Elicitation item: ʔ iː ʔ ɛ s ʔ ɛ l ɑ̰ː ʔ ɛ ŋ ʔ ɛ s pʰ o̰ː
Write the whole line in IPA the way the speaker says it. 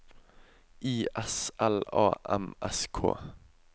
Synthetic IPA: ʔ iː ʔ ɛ s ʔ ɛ l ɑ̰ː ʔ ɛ m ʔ ɛ s kʰ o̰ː